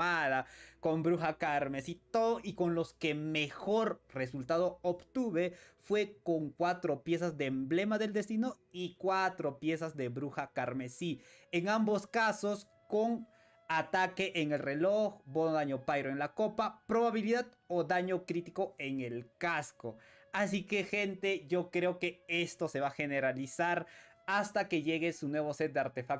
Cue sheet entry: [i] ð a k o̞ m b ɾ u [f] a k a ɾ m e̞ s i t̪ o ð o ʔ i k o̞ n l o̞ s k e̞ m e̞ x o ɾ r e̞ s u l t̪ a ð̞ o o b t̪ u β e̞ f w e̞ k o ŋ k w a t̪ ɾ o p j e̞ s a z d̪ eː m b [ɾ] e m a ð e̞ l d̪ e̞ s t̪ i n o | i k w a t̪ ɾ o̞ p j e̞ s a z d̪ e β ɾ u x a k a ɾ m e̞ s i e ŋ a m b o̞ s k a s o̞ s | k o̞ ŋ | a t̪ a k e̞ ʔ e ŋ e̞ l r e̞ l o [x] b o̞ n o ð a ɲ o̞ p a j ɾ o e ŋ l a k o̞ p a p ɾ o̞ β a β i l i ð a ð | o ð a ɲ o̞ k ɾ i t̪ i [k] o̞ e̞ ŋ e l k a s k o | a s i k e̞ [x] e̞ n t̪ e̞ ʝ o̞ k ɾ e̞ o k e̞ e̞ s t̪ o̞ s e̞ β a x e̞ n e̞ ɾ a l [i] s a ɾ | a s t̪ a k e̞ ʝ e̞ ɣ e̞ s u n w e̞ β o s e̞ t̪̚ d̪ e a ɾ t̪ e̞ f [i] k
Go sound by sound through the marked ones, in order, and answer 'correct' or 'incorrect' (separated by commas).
incorrect, incorrect, incorrect, correct, correct, correct, correct, incorrect